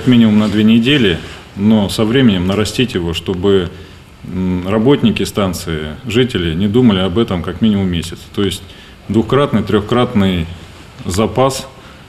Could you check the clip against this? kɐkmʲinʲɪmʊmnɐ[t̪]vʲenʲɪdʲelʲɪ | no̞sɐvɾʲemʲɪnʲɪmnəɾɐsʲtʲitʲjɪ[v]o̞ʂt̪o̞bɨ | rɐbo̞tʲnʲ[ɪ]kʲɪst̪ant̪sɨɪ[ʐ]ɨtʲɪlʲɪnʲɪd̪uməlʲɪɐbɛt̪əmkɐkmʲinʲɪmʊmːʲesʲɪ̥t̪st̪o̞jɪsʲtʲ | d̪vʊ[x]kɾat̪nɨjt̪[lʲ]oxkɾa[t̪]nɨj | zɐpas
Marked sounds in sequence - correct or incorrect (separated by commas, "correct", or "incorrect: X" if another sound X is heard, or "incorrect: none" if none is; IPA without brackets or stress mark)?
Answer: incorrect: d̪, correct, correct, correct, correct, incorrect: ɾʲ, correct